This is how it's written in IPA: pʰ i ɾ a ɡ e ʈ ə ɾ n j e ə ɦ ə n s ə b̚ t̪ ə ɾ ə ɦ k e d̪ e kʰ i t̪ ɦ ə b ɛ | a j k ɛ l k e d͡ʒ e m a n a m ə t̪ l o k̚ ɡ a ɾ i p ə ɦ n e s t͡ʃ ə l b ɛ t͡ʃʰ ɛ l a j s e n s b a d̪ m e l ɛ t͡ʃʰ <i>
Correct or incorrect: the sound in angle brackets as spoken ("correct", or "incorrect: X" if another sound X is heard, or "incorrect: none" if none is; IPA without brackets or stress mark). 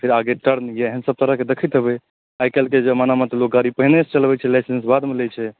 incorrect: ɛ